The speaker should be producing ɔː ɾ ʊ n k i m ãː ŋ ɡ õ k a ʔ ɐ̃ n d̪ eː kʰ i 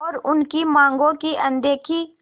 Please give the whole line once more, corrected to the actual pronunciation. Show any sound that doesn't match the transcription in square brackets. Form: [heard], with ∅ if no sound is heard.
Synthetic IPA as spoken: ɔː ɾ ʊ n k i m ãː ŋ ɡ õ k [i] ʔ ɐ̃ n d̪ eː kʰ i

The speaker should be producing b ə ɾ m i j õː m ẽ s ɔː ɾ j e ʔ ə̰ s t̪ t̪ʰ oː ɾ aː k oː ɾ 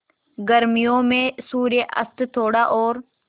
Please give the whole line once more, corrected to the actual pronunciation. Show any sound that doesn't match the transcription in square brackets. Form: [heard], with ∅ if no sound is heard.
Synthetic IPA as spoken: [ɡ] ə ɾ m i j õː m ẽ s [uː] ɾ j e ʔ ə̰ s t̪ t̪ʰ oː [ɽ] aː [ʔ] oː ɾ

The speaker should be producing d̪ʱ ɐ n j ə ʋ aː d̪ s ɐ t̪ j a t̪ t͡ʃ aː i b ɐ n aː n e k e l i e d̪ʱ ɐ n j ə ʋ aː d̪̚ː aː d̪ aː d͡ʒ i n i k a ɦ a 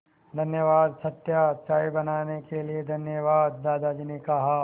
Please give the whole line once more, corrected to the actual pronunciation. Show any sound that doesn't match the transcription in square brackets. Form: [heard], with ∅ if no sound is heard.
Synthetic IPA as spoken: d̪ʱ ɐ n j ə ʋ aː d̪ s ɐ t̪ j a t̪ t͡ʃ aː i b ɐ n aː n e k e l i e d̪ʱ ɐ n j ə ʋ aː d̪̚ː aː d̪ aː d͡ʒ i n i k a ɦ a

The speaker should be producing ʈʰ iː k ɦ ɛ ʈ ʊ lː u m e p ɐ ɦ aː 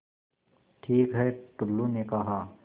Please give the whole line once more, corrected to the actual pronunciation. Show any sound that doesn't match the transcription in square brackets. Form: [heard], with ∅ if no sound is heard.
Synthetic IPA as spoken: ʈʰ iː k ɦ ɛ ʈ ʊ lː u [n] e [k] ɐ ɦ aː

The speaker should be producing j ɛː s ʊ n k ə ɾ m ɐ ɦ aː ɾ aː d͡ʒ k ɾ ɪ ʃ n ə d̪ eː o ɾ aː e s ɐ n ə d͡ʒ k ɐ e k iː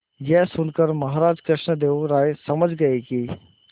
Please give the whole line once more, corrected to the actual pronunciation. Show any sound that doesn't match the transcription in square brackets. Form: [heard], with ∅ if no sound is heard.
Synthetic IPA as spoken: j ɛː s ʊ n k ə ɾ m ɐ ɦ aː ɾ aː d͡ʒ k ɾ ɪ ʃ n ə d̪ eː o ɾ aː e s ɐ [m] ə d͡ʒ [ɡ] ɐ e k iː

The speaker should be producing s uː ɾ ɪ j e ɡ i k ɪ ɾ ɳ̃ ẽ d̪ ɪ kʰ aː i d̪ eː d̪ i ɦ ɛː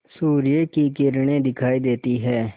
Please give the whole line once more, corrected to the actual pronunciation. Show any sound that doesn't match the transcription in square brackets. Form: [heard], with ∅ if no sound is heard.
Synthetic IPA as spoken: s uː ɾ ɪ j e [k] i k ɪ ɾ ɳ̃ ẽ d̪ ɪ kʰ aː i d̪ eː [t̪] i ɦ ɛː

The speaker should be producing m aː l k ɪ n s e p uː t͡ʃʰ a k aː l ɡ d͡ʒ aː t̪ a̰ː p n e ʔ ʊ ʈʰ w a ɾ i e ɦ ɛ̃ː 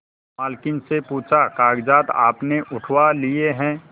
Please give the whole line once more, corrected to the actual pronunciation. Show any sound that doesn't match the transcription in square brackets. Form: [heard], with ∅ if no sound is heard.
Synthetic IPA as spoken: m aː l k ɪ n s e p uː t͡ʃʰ a k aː [∅] ɡ d͡ʒ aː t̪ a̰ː p n e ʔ ʊ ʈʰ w a [l] i e ɦ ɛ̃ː

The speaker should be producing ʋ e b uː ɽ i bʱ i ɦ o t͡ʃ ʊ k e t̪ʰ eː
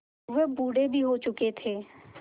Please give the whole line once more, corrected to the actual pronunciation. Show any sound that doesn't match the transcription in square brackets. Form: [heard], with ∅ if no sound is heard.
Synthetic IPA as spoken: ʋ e b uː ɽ [e] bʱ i ɦ o t͡ʃ ʊ k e t̪ʰ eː

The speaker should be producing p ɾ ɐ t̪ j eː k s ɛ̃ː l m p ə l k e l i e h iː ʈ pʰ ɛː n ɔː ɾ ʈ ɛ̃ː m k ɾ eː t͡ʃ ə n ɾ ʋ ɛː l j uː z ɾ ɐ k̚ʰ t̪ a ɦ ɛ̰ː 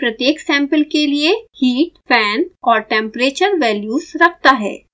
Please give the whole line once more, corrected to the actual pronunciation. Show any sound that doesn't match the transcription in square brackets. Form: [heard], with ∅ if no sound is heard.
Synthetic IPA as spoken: p ɾ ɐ t̪ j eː k s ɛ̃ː [∅] m p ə l k e l i e h iː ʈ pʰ ɛː n ɔː ɾ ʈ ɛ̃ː m [p] ɾ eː t͡ʃ ə [∅] ɾ ʋ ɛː l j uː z ɾ ɐ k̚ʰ t̪ a ɦ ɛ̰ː

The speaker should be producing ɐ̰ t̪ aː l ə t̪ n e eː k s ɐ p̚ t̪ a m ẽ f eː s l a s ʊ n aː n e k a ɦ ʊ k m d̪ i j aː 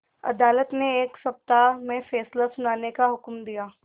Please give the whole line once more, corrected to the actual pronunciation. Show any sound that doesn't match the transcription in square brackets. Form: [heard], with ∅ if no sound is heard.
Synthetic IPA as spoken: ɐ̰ [d̪] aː l ə t̪ n e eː k s ɐ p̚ t̪ a m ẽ f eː s l a s ʊ n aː n e k a ɦ ʊ k m d̪ i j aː

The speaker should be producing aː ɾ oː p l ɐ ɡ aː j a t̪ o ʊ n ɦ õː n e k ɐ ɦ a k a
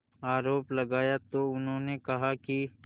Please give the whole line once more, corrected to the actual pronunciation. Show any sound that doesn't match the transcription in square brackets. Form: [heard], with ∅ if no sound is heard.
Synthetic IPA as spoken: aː ɾ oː p l ɐ ɡ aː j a t̪ o ʊ n ɦ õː n e k ɐ ɦ a k [i]

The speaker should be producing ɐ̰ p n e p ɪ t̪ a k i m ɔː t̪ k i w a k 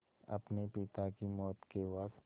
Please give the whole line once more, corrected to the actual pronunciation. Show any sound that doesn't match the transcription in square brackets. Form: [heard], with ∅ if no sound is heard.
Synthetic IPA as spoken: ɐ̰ p n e p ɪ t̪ a k i m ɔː t̪ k [e] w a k

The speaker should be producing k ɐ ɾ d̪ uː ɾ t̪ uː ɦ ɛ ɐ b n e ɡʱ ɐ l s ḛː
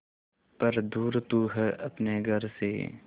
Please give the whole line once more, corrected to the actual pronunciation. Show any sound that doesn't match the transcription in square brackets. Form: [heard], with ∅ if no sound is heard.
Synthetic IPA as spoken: [p] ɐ ɾ d̪ uː ɾ t̪ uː ɦ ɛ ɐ [p] n e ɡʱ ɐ [ɾ] s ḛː

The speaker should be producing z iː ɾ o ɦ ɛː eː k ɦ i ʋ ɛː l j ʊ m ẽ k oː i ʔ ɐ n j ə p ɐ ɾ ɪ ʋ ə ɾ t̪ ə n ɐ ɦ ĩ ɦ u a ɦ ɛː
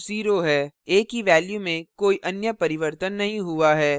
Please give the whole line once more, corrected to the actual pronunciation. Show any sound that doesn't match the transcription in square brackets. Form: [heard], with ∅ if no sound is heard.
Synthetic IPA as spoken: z iː ɾ o ɦ ɛː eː k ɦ i ʋ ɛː l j [u] m ẽ k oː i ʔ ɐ n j ə p ɐ ɾ ɪ ʋ ə ɾ t̪ ə [nː] ɐ ɦ ĩ ɦ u a ɦ ɛː

